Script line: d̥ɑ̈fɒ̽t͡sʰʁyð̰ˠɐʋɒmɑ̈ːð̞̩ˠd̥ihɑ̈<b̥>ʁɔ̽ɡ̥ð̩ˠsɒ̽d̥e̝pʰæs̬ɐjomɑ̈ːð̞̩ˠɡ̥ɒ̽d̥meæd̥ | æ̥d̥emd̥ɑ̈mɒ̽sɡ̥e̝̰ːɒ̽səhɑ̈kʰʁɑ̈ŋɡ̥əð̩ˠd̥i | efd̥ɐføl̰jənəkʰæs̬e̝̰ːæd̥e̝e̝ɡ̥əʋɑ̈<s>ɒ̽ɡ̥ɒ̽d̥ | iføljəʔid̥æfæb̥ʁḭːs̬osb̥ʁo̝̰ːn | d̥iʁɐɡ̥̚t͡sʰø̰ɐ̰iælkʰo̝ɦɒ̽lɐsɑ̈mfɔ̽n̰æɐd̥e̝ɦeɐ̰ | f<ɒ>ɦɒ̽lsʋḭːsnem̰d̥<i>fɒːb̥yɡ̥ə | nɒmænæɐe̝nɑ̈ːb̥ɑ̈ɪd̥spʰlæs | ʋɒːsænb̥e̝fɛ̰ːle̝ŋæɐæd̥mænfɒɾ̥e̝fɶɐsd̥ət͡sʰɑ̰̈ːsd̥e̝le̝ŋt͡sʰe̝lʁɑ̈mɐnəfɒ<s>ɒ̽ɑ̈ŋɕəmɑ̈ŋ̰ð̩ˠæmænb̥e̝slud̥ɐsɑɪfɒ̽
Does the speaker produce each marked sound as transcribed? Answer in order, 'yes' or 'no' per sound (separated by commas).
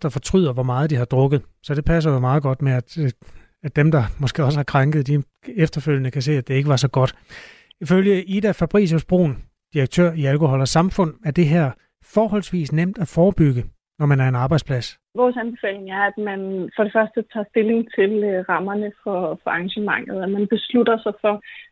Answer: no, yes, no, no, no